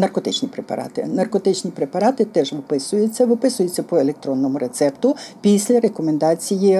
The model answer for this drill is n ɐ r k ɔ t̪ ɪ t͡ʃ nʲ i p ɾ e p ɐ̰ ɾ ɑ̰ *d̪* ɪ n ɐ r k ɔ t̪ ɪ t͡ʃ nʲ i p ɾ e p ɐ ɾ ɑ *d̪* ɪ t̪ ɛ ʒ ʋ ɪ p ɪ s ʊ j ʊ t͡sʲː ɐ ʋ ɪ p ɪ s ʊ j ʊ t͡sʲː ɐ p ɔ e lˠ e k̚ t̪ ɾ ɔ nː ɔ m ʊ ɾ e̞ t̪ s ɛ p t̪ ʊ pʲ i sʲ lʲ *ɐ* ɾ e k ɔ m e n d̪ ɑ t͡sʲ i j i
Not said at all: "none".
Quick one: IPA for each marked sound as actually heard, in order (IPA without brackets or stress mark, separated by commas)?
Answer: t̪, t̪, ɐ